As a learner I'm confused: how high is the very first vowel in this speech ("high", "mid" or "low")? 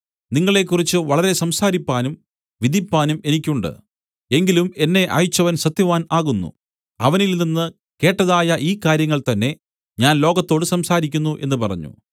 high